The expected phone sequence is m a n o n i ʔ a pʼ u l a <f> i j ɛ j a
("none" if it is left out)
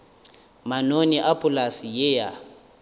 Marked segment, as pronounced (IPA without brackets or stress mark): s